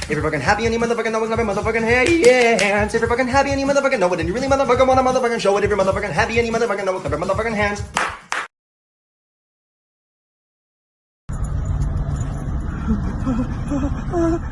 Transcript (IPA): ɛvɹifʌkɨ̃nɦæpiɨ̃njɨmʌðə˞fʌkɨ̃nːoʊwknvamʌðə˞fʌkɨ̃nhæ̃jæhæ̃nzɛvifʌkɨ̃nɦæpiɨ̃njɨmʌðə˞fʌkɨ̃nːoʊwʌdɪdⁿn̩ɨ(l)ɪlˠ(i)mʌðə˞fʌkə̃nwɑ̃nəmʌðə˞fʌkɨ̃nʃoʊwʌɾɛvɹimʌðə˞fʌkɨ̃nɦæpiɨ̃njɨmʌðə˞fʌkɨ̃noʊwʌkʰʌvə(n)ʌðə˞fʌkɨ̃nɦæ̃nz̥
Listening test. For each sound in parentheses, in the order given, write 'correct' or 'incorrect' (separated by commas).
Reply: incorrect, correct, incorrect